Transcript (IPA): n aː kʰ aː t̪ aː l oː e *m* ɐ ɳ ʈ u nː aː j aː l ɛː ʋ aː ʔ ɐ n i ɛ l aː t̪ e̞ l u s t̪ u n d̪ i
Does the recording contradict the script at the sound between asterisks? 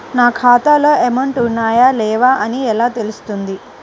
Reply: no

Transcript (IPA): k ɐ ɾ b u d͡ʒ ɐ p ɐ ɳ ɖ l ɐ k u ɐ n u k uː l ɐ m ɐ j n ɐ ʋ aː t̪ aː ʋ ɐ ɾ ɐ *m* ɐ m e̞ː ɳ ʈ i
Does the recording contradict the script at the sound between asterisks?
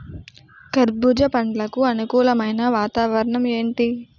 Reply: yes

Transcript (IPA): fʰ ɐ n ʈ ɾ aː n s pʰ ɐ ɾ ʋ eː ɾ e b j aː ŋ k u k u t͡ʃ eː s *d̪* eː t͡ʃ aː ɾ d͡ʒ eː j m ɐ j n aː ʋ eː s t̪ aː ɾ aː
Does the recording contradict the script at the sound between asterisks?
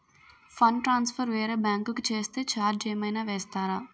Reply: yes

